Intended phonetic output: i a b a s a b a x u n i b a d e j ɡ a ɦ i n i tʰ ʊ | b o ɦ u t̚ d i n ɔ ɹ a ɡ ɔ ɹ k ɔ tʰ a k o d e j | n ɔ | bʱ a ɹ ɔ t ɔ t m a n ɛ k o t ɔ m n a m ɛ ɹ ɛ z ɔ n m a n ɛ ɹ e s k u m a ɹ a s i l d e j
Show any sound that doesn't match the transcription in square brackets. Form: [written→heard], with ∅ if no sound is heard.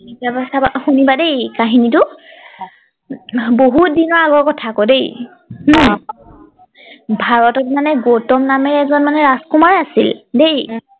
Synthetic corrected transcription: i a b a s a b a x u n i b a d e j [ɡ→k] a ɦ i n i [tʰ→t] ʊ | b o ɦ u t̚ d i n ɔ ɹ a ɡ ɔ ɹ k ɔ tʰ a k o d e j | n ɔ | bʱ a ɹ ɔ t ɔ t m a n ɛ [k→ɡ] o t ɔ m n a m ɛ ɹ ɛ z ɔ n m a n ɛ ɹ [e→a] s k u m a ɹ a s i l d e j